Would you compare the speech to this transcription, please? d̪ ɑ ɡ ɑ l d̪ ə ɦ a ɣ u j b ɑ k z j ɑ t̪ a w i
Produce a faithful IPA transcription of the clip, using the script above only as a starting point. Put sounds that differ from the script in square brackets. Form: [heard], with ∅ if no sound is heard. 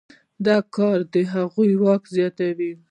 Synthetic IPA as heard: d̪ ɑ [k] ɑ [ɾ] d̪ ə ɦ a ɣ u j [w] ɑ k z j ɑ t̪ a w i